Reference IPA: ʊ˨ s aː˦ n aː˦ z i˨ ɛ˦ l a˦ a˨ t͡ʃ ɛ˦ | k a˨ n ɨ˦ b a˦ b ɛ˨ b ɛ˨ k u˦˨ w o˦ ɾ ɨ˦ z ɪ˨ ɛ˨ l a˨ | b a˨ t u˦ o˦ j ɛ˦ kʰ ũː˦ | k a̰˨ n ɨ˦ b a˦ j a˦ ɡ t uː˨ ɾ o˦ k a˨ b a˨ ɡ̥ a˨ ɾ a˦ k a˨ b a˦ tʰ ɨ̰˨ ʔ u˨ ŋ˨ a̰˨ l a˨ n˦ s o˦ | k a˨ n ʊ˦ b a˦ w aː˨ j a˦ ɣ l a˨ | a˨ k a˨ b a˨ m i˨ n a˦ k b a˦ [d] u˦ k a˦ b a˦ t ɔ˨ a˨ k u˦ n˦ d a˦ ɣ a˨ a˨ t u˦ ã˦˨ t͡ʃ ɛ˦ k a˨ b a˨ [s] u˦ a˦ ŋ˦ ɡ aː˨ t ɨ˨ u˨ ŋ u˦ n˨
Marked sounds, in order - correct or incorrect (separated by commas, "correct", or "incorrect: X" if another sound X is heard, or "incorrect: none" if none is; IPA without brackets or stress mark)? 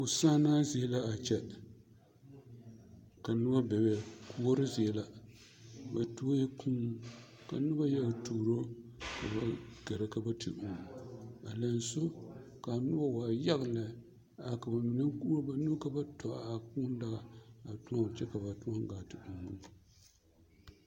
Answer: incorrect: n, incorrect: t